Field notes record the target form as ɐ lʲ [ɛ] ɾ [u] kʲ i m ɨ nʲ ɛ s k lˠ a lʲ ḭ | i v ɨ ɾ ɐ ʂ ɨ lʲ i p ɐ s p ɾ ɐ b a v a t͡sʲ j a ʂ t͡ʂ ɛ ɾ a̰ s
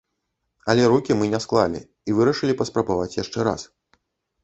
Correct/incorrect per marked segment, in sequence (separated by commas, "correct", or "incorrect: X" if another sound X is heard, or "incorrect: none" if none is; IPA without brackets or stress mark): correct, correct